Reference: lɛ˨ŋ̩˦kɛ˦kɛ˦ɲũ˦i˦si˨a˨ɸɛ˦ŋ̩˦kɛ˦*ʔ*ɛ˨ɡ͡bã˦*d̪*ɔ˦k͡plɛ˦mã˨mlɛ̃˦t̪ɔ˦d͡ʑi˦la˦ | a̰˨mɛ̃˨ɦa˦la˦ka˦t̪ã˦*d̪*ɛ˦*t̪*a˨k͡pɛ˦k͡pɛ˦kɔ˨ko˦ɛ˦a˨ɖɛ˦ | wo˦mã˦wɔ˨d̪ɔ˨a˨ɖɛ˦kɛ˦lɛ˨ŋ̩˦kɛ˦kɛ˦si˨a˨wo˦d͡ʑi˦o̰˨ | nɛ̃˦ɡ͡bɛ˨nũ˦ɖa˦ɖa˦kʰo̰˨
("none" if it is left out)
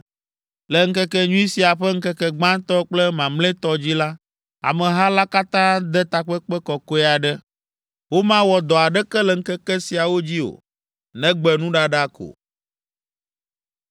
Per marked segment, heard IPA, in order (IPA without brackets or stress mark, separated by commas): k, t̪, d̪, t̪